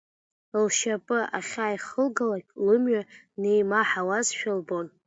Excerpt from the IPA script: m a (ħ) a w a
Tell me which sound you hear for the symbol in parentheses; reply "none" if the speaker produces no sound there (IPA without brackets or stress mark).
ħ